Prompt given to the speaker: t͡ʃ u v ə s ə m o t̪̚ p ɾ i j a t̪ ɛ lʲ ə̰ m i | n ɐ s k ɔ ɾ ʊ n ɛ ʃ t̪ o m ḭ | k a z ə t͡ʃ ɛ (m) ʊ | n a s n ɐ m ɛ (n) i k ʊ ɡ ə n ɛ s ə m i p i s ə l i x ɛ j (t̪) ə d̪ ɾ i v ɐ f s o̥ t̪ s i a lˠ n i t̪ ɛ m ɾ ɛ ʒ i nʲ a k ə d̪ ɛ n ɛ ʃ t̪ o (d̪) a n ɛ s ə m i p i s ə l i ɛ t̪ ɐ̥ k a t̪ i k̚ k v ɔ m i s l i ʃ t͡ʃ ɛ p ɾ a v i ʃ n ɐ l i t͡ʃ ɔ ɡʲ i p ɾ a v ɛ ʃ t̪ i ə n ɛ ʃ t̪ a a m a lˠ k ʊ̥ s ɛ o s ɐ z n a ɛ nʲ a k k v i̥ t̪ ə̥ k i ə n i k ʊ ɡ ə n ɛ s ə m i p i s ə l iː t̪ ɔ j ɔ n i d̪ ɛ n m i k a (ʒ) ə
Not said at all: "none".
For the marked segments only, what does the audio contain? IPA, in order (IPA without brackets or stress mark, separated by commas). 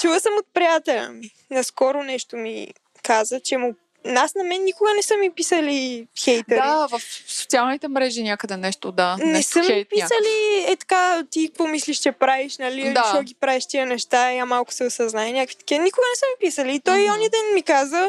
m, nː, t̪, d̪, z